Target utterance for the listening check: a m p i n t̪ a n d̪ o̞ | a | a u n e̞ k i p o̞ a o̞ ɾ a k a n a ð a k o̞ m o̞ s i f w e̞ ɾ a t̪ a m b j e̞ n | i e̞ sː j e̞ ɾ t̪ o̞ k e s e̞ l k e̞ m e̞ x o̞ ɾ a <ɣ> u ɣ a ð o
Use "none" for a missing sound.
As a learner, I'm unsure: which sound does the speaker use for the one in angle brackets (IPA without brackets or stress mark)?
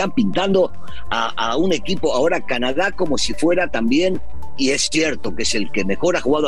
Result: x